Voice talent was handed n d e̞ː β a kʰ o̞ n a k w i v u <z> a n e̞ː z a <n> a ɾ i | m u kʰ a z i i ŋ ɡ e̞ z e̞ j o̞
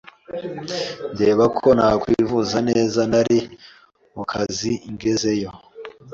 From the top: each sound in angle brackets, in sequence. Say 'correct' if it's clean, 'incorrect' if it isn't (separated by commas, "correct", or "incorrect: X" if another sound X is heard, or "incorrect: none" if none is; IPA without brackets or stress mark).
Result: correct, correct